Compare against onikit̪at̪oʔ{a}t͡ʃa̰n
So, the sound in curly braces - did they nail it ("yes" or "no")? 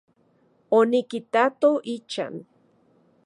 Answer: no